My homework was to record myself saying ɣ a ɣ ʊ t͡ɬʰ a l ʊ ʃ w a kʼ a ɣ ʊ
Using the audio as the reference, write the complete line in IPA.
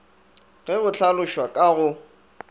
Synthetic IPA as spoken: ɣ ɛ ɣ ʊ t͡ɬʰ a l ʊ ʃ w a kʼ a ɣ ʊ